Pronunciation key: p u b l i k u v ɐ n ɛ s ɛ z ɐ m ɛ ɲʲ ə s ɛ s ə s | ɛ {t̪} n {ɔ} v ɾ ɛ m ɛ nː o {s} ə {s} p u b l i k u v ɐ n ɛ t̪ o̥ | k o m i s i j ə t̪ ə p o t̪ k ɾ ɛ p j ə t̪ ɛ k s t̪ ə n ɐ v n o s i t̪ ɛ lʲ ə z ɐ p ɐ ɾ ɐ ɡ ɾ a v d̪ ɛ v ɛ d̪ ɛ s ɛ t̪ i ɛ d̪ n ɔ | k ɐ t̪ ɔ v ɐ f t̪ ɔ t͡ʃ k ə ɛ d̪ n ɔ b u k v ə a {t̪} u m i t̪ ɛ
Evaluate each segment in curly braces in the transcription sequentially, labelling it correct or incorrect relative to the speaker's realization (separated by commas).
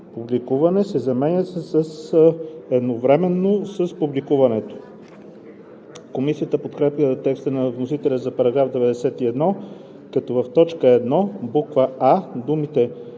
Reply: incorrect, incorrect, correct, correct, incorrect